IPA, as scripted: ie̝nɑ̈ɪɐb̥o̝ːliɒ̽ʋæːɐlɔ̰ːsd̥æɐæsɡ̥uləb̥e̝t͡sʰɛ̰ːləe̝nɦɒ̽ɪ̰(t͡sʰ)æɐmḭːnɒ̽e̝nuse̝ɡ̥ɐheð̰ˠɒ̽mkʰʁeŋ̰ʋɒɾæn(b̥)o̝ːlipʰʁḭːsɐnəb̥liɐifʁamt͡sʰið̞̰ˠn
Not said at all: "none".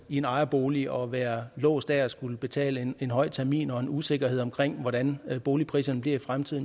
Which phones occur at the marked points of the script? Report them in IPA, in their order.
t͡sʰ, b̥

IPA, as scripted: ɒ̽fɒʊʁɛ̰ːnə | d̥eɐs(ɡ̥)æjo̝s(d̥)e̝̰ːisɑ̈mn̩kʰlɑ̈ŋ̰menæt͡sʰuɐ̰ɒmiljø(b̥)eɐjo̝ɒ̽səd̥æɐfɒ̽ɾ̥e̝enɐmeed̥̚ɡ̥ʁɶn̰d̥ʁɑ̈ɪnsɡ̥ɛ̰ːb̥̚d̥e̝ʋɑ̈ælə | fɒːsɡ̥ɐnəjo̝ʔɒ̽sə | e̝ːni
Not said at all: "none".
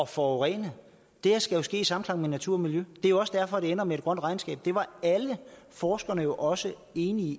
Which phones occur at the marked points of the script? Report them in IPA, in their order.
ɡ̥, ɡ̥, d̥

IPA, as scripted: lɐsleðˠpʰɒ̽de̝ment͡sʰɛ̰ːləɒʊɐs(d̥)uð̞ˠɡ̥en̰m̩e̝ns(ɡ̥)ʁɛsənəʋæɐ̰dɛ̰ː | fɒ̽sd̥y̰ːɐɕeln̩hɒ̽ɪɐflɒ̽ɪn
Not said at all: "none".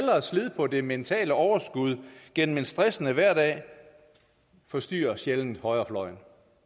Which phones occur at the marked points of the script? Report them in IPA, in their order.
ɡ̥, d̥

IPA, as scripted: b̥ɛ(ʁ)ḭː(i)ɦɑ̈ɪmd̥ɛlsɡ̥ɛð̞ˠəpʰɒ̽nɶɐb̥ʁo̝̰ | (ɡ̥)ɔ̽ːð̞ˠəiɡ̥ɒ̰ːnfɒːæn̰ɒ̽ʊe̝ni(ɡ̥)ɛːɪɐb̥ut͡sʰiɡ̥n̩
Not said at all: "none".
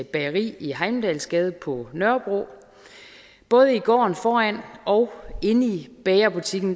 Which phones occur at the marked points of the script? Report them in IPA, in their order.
ʁ, i, b̥, b̥

